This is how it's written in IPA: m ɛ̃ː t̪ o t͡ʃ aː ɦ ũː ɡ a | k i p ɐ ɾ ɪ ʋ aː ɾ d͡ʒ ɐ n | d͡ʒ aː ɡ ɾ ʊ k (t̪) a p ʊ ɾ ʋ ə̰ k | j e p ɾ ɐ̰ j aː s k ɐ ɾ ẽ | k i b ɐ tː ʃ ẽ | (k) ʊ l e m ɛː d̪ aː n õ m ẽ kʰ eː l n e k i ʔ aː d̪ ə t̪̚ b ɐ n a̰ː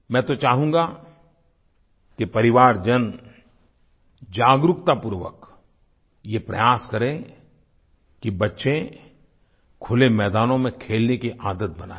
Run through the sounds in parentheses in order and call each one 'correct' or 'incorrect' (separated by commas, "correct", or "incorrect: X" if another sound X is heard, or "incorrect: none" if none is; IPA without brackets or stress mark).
correct, incorrect: kʰ